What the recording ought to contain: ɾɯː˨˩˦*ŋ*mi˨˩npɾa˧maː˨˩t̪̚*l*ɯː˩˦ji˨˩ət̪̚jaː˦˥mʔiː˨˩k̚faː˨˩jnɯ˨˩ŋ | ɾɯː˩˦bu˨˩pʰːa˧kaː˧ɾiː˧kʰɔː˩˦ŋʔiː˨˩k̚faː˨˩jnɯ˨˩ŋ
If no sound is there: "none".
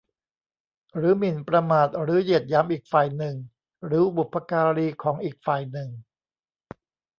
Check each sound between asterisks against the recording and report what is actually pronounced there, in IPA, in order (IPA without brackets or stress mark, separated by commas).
none, ɾ